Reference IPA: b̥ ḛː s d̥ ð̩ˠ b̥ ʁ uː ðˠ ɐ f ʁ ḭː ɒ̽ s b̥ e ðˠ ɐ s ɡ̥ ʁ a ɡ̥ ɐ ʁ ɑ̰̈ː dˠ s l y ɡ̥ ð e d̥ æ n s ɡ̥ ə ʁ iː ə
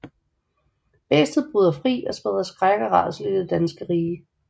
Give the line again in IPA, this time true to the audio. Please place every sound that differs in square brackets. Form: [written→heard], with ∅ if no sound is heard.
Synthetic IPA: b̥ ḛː s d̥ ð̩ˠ b̥ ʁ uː ðˠ ɐ f ʁ ḭː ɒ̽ s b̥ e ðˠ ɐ s ɡ̥ ʁ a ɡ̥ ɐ ʁ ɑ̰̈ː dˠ s l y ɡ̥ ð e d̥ æ n s ɡ̥ ə ʁ iː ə